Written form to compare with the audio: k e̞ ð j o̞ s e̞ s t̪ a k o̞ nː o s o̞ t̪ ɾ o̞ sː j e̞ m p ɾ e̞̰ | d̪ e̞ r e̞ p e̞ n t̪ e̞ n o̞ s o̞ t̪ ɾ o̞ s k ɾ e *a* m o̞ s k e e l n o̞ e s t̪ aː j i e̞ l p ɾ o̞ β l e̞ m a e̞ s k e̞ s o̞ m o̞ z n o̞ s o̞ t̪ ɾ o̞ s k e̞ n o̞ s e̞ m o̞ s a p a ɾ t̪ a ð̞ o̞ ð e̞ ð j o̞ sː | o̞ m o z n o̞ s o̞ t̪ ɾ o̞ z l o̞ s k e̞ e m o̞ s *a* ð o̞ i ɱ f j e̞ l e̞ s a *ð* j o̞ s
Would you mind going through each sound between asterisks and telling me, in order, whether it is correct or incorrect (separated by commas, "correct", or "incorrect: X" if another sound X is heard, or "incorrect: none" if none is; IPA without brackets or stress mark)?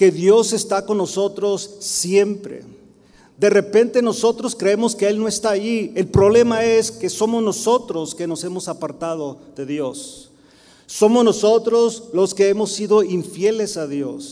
incorrect: e, incorrect: i, correct